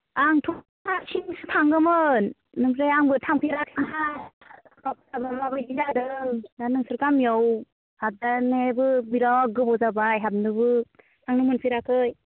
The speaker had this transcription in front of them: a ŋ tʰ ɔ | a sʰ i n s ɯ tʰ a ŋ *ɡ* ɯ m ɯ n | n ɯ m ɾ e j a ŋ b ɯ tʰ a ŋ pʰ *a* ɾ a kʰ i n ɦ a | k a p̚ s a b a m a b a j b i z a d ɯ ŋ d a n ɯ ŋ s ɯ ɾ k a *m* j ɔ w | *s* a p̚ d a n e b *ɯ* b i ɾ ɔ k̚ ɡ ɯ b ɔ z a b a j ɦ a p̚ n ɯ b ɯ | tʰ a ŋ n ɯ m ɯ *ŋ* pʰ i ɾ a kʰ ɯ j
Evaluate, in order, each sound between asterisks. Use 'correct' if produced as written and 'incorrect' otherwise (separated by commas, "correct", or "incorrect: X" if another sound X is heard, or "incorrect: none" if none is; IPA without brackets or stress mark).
correct, incorrect: i, correct, incorrect: h, correct, incorrect: n